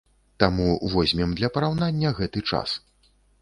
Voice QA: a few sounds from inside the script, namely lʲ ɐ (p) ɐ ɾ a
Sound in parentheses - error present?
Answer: no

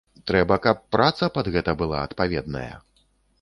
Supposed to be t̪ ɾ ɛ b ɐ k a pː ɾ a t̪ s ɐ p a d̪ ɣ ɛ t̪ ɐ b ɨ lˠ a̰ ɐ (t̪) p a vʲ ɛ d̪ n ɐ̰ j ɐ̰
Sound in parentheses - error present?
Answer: no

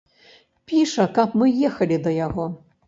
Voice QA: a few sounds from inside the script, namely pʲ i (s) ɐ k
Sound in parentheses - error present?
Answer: yes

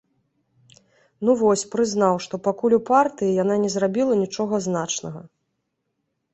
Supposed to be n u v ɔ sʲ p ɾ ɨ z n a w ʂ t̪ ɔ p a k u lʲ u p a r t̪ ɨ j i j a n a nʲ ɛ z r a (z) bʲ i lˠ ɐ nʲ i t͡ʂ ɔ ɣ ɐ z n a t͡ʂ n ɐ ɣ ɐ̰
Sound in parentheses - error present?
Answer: yes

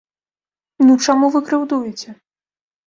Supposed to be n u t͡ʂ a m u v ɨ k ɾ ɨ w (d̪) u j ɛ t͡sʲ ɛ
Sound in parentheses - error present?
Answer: no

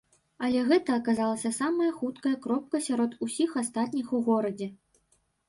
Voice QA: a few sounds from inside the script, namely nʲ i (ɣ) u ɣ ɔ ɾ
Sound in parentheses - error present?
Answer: yes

